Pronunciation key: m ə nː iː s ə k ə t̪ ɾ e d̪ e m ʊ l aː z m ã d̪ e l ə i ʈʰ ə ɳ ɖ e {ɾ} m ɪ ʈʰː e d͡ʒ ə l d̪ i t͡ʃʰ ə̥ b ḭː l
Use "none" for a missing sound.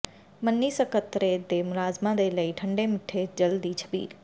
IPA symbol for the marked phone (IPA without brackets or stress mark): none